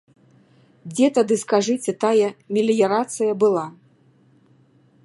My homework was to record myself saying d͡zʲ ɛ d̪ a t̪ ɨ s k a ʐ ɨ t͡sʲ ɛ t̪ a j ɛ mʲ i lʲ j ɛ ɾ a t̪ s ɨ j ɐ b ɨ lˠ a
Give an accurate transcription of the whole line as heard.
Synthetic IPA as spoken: d͡zʲ ɛ t̪ a d̪ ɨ s k a ʐ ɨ t͡sʲ ɛ t̪ a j ɛ mʲ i lʲ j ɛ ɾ a t̪ s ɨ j ɐ b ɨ lˠ a